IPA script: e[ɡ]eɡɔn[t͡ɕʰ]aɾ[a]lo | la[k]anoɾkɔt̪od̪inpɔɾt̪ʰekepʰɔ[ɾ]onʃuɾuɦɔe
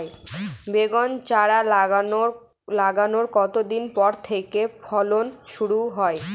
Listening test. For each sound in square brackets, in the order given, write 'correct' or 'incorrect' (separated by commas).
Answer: incorrect, incorrect, correct, incorrect, incorrect